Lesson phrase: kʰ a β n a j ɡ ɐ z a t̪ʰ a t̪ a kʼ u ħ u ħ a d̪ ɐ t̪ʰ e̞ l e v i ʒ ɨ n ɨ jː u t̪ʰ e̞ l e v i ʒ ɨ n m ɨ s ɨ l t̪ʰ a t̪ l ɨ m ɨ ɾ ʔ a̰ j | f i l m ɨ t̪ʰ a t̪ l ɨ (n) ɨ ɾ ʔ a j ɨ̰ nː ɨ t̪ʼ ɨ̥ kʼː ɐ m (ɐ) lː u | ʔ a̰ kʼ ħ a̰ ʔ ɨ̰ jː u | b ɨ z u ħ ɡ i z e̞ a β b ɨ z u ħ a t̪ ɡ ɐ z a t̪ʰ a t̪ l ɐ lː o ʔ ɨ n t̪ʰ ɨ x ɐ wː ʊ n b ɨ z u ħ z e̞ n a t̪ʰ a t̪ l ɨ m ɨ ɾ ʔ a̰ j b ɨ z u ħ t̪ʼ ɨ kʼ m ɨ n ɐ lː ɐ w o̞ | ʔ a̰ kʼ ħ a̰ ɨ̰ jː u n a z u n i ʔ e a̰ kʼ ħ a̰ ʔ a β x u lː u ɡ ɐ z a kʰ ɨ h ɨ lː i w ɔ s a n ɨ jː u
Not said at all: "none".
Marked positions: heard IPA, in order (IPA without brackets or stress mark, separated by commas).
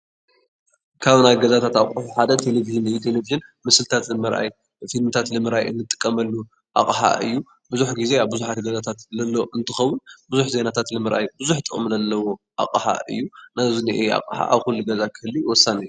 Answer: m, ɐ